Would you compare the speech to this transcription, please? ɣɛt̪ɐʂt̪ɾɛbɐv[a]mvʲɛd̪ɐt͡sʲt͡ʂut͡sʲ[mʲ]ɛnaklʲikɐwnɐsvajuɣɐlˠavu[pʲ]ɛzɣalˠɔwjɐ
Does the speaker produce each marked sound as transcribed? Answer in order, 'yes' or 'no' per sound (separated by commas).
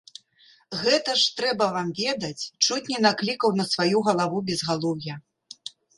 yes, no, no